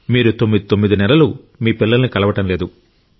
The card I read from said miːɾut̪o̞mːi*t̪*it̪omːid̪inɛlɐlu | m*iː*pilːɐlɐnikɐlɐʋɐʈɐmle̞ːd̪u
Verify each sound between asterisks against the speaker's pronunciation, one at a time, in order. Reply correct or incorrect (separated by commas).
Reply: incorrect, correct